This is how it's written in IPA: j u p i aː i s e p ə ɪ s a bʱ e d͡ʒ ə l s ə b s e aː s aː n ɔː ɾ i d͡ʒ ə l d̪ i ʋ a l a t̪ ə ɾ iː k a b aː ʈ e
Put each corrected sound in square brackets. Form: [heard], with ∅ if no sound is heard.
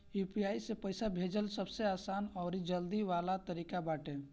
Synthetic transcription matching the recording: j u p i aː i s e p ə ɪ s a bʱ e d͡ʒ ə l s ə b s e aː s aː n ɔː ɾ i d͡ʒ ə l d̪ i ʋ a l a t̪ ə ɾ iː k a b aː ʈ e